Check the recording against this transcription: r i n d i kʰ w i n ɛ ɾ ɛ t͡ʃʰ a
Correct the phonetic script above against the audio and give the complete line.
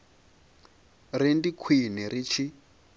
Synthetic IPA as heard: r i n d i kʰ w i n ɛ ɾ i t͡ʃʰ i